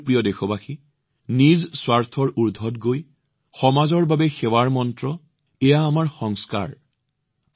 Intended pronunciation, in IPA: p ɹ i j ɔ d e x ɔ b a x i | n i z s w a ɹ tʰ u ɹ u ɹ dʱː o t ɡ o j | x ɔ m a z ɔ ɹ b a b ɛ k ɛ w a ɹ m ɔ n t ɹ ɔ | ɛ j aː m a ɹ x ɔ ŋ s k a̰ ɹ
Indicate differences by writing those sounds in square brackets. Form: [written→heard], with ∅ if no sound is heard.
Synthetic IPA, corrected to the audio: p ɹ i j ɔ d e x ɔ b a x i | n i z s w a ɹ tʰ [u→ɔ] ɹ u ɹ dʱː [o→ɔ] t ɡ o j | x ɔ m a z ɔ ɹ b a b ɛ [k→x] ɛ w a ɹ m ɔ n t ɹ ɔ | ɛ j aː m a ɹ x ɔ ŋ s k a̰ ɹ